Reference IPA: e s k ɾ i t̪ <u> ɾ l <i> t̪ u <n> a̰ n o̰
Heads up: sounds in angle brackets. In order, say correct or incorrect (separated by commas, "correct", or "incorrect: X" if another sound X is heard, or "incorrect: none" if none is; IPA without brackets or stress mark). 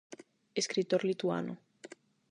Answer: incorrect: o, correct, incorrect: none